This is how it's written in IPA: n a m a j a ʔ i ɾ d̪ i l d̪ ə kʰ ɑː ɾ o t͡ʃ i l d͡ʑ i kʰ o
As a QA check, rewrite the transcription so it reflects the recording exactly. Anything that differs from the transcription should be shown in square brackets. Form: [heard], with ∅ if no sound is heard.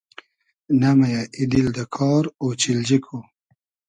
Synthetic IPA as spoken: n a m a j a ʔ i [∅] d̪ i l d̪ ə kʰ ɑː ɾ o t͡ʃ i l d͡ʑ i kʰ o